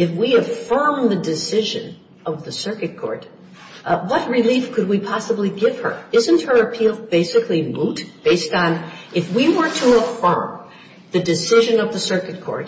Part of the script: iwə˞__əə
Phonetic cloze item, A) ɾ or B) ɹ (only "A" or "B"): A